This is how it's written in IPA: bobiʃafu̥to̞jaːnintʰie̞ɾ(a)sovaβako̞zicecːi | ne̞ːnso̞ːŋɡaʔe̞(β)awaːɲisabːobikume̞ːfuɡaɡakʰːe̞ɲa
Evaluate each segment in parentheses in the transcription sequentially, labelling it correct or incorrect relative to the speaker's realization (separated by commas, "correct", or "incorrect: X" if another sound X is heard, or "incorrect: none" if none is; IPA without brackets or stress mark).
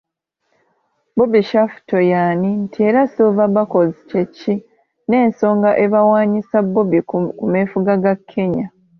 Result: correct, correct